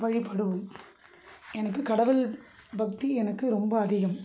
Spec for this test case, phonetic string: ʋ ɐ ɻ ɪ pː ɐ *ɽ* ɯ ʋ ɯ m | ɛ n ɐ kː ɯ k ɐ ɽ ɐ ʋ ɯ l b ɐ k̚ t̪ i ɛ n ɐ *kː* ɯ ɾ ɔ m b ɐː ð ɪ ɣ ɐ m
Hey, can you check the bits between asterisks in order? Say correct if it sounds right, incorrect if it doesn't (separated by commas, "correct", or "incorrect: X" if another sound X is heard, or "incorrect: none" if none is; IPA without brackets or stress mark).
correct, correct